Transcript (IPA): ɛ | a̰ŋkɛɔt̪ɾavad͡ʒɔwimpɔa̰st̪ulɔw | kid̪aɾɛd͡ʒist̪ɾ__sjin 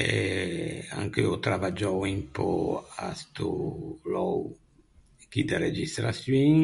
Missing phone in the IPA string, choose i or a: a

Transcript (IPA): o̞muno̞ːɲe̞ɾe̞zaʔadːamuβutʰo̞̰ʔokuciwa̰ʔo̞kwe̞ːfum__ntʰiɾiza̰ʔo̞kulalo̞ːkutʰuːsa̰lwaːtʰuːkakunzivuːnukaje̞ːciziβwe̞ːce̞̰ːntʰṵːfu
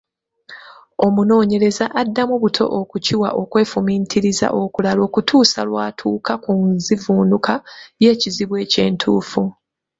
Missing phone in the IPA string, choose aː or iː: iː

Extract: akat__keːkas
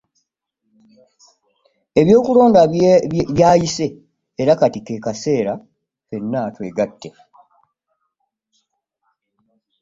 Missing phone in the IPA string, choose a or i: i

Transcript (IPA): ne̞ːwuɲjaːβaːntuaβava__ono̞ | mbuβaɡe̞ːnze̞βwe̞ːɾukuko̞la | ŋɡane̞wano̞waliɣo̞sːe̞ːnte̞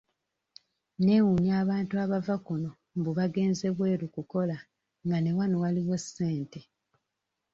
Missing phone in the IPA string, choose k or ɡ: k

